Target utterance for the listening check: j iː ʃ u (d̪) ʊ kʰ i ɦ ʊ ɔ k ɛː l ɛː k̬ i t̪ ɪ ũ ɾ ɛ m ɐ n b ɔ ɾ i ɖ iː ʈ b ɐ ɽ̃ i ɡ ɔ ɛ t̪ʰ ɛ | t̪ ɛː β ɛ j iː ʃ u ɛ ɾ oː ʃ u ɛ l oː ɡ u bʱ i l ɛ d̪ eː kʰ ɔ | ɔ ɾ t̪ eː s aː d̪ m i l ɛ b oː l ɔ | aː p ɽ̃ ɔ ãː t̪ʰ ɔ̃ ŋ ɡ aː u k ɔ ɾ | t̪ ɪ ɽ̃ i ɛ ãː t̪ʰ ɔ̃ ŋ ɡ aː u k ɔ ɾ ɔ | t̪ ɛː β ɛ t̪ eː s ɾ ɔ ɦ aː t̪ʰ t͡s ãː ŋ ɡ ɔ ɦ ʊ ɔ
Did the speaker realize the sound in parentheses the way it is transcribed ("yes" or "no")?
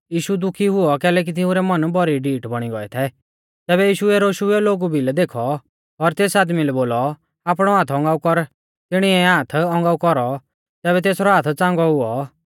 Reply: yes